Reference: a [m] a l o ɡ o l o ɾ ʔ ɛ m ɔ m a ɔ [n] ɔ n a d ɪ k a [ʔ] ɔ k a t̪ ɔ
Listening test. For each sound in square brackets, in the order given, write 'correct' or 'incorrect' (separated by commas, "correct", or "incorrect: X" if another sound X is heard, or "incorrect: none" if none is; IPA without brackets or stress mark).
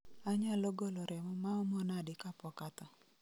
incorrect: ɲ, incorrect: m, incorrect: p